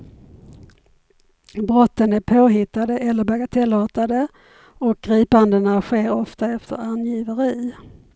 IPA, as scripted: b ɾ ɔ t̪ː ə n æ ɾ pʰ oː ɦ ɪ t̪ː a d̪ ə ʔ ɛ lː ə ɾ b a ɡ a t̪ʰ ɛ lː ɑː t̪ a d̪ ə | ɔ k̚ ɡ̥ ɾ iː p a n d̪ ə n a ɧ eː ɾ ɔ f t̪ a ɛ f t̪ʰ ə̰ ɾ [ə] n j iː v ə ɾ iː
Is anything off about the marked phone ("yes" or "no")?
yes